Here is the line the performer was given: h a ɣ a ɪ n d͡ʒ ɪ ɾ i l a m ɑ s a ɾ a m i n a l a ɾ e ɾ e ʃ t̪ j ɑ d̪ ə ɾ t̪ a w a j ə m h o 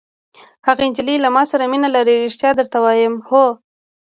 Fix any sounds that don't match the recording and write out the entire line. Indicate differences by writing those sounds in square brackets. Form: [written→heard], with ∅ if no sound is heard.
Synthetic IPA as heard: h a ɣ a ɪ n d͡ʒ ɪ [ɾ→l] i l a m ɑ s a ɾ a m i n a l a ɾ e ɾ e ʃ t̪ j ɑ d̪ ə ɾ t̪ a w [a→ɑ] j ə m h o